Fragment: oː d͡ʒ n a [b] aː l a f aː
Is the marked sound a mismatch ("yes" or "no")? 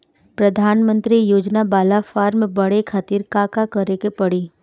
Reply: no